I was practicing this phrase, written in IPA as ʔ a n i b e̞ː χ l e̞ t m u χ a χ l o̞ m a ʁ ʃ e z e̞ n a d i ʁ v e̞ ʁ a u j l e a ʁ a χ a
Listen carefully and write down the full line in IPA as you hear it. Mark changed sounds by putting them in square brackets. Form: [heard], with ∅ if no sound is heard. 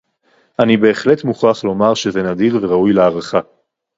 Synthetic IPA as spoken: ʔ a n i b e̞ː χ l e̞ t m u χ a χ l o̞ m a ʁ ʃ e z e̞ n a d i ʁ v e̞ ʁ a u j l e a ʁ a χ a